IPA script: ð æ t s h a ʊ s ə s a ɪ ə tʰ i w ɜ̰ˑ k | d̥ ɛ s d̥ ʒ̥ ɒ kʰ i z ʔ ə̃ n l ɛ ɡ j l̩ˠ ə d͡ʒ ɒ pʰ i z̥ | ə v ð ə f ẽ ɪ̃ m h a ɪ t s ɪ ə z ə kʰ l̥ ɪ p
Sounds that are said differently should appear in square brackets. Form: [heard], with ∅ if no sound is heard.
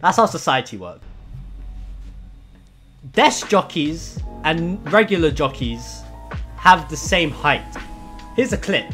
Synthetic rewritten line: ð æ t s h a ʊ s ə s a ɪ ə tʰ i w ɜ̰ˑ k | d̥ ɛ s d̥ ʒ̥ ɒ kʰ i z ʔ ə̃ n [ɹ] ɛ ɡ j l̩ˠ ə d͡ʒ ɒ [kʰ] i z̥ | ə v ð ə [s] ẽ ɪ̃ m h a ɪ t [h] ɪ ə z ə kʰ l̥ ɪ p